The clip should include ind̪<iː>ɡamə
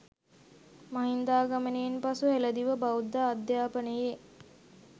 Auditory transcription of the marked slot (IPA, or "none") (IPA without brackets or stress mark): aː